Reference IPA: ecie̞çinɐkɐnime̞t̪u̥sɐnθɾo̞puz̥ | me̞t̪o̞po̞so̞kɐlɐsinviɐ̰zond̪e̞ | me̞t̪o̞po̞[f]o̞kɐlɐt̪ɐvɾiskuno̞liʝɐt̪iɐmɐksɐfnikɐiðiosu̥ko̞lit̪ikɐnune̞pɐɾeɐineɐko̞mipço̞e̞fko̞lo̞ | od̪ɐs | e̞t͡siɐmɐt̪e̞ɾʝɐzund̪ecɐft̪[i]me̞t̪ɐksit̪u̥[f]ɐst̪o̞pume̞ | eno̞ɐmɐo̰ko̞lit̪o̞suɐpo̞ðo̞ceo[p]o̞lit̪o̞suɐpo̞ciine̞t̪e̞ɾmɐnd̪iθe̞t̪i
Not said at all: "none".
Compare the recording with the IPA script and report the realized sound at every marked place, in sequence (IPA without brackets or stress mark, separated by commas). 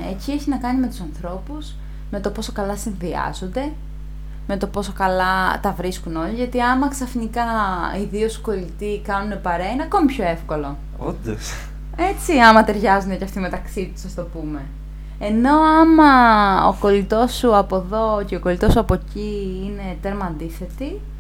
s, i, s, k